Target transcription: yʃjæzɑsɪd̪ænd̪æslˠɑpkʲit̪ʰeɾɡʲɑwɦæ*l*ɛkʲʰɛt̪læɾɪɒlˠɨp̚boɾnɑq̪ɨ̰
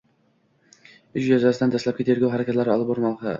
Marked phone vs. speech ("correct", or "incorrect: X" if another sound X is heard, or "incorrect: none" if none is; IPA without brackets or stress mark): incorrect: ɾ